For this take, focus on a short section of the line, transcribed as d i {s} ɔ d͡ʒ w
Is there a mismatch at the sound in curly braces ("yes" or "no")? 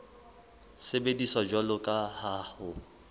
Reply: no